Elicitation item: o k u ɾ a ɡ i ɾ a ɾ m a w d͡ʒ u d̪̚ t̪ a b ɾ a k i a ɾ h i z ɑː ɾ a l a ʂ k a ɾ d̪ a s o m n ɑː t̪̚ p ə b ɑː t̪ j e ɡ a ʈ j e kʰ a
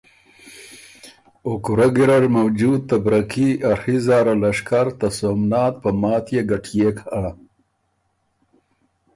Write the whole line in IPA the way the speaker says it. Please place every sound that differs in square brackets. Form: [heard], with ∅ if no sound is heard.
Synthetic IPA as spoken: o k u ɾ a ɡ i ɾ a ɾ m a w d͡ʒ u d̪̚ t̪ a b ɾ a k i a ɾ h i z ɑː ɾ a l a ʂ k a ɾ [t̪] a s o m n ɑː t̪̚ p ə [m] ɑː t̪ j e ɡ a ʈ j e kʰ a